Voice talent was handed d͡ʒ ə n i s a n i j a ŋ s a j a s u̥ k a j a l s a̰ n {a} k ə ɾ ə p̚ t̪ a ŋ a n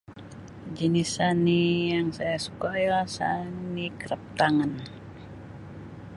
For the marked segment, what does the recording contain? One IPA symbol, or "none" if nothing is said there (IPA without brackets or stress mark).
i